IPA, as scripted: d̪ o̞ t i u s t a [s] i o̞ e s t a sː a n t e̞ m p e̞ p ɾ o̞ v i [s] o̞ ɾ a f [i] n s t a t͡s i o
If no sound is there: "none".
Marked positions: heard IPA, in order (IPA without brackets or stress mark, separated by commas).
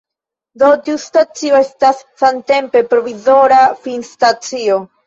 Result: t͡s, z, i